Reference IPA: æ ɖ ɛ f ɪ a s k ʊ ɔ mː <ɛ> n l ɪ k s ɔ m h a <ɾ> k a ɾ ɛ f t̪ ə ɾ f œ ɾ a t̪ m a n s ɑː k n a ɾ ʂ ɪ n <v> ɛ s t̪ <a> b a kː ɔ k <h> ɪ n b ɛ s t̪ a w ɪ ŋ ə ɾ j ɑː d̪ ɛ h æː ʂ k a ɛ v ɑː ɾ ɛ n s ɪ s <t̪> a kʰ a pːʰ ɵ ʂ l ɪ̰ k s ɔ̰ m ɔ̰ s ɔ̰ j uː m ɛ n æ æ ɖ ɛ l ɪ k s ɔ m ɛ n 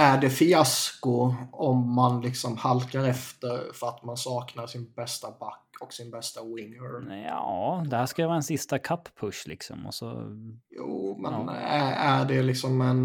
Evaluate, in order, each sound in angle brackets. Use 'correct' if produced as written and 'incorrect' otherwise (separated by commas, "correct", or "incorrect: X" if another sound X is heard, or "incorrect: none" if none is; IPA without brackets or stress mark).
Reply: incorrect: a, incorrect: l, incorrect: b, correct, incorrect: s, correct